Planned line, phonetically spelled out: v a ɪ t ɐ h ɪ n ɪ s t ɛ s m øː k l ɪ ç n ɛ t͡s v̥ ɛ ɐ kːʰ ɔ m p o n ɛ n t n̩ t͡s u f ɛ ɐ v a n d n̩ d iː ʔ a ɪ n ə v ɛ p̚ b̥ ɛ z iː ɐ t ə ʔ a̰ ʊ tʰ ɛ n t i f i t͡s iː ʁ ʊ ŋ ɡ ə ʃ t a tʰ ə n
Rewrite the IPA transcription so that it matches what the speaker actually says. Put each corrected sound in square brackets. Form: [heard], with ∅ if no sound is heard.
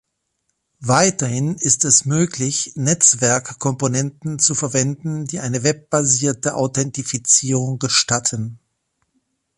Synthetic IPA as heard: v a ɪ t ɐ h ɪ n ɪ s t ɛ s m øː k l ɪ ç n ɛ t͡s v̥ ɛ ɐ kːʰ ɔ m p o n ɛ n t n̩ t͡s u f ɛ ɐ v [ɛ] n d n̩ d iː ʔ a ɪ n ə v ɛ p̚ b̥ [a] z iː ɐ t ə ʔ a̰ ʊ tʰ ɛ n t i f i t͡s iː ʁ ʊ ŋ ɡ ə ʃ t a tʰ ə n